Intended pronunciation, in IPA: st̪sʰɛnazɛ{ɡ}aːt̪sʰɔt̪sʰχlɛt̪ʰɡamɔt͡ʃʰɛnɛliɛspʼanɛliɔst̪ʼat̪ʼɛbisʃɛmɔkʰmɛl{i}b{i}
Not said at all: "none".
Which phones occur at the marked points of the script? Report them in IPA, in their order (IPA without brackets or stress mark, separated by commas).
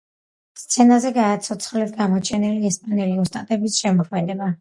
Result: ɡ, ɛ, a